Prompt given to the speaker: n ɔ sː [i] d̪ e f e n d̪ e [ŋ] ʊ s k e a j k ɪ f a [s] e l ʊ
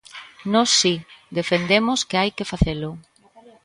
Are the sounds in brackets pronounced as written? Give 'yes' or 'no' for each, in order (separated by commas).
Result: yes, no, no